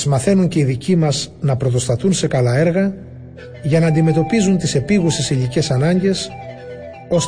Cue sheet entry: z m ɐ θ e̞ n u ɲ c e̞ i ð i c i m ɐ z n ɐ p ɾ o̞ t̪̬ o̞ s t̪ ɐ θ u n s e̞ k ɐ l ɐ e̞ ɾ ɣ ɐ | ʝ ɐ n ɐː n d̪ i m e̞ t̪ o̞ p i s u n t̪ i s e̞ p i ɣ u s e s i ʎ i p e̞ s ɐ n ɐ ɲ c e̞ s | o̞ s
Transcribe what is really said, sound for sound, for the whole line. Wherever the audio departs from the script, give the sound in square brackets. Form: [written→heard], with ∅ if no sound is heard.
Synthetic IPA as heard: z m ɐ θ e̞ n u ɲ c e̞ i ð i c i m ɐ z n ɐ p ɾ o̞ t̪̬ o̞ s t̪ ɐ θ u n s e̞ k ɐ l ɐ e̞ ɾ ɣ ɐ | ʝ ɐ n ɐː n d̪ i m e̞ t̪ o̞ p i [s→z] u n t̪ i s e̞ p i ɣ u s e s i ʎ i [p→c] e̞ s ɐ n ɐ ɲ [c→ɟ] e̞ s | o̞ s